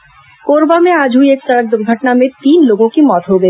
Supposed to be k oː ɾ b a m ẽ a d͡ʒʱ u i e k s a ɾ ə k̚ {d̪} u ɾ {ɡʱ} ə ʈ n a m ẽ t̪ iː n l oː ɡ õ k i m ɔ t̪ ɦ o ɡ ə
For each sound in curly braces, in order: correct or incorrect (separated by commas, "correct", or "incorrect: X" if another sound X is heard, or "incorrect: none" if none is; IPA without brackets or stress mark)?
correct, correct